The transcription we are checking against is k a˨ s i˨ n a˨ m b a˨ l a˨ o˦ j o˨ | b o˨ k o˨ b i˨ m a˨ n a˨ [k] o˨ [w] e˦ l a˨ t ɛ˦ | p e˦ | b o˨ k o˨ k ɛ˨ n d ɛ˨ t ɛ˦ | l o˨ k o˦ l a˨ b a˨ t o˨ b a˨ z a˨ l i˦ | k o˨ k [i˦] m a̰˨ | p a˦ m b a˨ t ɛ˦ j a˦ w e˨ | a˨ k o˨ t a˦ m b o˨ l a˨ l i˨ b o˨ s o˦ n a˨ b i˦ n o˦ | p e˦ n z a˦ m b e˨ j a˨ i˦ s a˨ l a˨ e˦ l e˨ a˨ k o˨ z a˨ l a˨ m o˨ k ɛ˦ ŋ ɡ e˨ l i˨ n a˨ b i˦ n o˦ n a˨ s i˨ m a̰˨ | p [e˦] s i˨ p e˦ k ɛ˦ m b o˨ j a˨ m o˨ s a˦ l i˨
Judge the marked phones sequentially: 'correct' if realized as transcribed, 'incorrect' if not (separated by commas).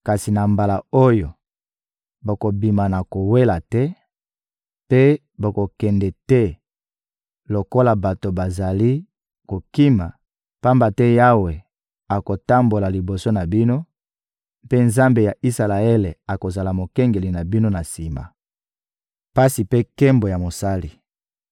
correct, correct, correct, incorrect